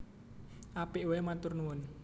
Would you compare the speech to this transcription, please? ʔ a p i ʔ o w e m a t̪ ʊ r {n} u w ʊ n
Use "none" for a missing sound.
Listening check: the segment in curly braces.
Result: n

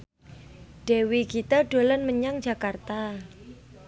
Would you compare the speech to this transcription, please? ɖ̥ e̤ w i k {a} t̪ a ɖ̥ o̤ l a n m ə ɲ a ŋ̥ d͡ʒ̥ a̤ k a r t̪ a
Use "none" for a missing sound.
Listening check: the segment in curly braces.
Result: i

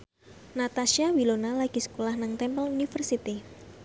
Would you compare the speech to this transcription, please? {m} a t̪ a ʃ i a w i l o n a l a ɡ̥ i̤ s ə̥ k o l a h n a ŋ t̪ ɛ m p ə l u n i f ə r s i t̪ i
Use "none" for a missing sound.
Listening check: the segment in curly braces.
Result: n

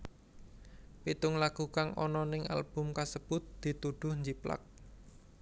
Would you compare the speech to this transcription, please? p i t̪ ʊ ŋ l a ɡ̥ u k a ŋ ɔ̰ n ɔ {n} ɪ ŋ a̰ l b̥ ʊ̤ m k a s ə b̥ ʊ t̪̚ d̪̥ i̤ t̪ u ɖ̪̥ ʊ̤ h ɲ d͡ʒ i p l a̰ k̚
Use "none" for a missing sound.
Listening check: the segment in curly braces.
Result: n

